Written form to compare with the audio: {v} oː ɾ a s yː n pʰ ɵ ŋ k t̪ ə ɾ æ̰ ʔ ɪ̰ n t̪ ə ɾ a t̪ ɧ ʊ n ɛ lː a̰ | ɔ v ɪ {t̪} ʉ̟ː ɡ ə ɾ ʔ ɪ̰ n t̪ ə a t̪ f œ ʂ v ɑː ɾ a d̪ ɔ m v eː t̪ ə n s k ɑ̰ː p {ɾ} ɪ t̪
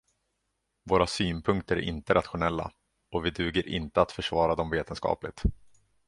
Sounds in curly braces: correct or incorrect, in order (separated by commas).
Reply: correct, incorrect, incorrect